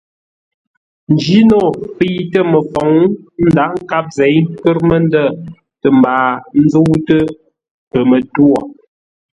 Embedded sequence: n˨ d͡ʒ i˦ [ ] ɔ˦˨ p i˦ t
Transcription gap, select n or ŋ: n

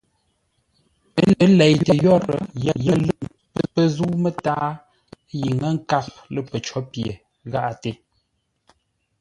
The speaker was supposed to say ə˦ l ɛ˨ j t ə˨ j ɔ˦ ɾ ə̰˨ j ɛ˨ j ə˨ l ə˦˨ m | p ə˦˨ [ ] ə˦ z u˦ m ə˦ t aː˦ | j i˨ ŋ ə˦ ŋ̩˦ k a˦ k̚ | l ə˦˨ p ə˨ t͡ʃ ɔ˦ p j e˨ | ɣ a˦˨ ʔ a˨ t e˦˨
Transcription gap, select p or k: p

